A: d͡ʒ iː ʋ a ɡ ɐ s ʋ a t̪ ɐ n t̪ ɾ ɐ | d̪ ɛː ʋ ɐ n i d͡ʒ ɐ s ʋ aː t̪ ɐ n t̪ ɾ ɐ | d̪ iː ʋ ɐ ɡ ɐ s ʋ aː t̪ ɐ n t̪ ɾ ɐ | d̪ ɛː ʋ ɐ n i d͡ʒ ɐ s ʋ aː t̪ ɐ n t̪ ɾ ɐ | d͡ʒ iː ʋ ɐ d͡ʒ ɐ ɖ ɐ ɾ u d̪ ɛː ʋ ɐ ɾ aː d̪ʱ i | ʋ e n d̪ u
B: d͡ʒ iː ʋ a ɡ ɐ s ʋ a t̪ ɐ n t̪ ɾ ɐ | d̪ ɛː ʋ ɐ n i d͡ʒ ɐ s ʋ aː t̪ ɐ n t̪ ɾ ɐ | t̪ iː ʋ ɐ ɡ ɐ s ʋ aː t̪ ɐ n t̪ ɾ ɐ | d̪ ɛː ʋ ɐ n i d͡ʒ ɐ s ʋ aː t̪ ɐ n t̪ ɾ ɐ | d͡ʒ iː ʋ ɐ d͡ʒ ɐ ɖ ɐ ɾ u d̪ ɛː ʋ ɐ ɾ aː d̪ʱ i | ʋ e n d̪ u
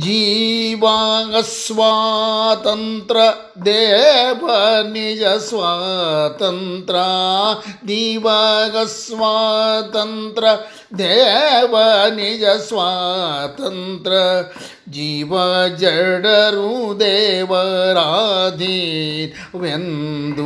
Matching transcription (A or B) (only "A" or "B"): A